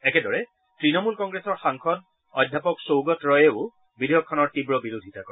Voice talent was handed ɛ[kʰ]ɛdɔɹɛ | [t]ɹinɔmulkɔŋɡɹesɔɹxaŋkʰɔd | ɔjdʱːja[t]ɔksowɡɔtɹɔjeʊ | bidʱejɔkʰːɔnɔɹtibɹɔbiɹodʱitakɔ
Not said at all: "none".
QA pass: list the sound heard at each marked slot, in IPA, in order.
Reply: k, t, p

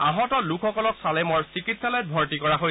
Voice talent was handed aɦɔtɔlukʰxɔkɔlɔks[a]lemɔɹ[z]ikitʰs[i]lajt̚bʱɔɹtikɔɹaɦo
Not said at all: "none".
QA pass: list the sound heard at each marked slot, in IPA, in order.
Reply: a, s, a

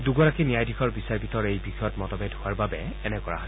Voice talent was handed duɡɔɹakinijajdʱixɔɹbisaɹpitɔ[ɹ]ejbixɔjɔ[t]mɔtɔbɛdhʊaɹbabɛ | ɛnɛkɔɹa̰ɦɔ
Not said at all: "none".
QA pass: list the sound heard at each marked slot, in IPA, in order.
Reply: ɹ, t

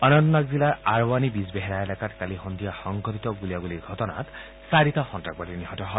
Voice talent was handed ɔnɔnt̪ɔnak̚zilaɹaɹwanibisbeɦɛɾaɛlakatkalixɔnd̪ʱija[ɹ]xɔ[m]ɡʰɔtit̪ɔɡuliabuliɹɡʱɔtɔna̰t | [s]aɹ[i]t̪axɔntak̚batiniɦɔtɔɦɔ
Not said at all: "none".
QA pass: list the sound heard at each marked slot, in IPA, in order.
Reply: none, ŋ, s, i

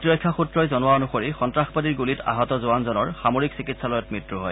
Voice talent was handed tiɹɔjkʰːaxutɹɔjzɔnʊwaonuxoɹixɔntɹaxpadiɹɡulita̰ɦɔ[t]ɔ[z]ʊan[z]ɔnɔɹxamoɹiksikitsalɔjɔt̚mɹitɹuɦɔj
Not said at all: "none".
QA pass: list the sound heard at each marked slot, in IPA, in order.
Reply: t, z, z

